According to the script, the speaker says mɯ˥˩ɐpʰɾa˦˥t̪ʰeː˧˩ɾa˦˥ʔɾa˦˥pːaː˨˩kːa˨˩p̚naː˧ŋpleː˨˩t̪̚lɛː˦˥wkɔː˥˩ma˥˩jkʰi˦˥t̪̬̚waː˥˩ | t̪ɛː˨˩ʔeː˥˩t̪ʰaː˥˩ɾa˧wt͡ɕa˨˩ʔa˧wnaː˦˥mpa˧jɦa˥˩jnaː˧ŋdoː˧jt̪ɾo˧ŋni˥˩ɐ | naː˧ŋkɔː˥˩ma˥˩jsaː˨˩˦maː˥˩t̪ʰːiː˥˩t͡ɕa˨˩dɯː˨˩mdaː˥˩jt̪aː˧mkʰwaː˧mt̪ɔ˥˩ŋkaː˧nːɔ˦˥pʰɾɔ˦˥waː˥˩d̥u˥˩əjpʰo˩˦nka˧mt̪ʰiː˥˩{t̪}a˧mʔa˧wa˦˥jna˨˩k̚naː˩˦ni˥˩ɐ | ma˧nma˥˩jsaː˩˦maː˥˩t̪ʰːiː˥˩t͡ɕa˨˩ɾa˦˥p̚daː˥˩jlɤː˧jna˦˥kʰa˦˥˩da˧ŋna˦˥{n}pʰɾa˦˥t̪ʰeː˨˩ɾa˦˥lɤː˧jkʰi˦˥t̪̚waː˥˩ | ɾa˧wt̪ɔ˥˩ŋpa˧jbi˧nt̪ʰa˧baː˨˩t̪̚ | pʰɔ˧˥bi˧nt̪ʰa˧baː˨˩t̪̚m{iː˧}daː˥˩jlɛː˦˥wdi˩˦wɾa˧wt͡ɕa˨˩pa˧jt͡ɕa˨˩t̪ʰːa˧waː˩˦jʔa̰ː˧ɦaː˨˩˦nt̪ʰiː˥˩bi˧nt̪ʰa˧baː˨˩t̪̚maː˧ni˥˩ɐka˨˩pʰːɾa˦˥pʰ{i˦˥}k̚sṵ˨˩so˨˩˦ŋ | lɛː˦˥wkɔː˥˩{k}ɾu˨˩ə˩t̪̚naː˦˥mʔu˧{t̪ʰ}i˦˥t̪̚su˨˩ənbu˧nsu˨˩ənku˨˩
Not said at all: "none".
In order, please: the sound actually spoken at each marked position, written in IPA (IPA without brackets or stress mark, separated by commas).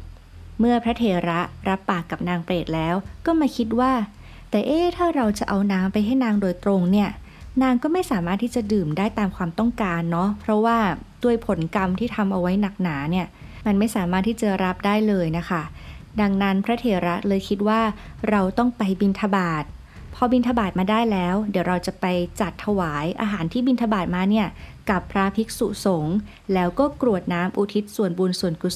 t̪ʰ, n, aː˧, i˦˥, k, t̪ʰ